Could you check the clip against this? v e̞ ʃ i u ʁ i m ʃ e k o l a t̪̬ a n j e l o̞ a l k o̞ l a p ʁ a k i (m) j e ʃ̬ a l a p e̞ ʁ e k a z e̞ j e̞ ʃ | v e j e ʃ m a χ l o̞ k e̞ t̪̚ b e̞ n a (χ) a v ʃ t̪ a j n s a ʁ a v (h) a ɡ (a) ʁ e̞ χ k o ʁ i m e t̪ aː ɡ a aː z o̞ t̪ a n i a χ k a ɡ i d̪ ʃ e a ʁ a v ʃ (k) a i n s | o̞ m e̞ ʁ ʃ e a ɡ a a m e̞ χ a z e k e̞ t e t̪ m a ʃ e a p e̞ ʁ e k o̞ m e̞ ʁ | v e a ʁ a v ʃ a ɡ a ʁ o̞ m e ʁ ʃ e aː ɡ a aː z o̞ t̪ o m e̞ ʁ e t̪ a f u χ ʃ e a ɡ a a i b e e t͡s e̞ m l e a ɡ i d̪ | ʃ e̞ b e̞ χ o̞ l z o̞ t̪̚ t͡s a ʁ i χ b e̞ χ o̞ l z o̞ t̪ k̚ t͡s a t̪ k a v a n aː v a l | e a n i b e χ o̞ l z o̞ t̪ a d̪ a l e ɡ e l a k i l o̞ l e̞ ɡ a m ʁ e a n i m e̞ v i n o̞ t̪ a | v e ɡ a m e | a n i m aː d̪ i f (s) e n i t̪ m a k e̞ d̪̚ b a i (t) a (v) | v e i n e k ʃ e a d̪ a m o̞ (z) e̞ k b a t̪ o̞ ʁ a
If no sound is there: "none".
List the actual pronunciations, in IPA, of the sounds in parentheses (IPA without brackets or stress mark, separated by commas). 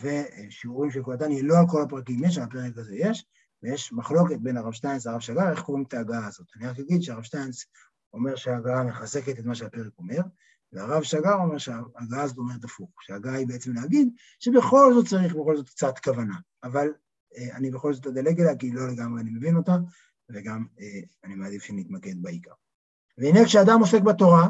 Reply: m, ʁ, ʃ, a, t, ʃ, k, ʁ, s